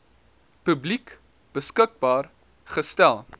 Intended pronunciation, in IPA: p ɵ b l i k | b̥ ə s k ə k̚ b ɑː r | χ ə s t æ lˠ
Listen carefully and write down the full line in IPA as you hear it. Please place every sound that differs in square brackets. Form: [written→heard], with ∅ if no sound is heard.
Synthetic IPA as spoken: p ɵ b l i k | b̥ ə s k ə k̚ b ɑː r | χ ə s t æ lˠ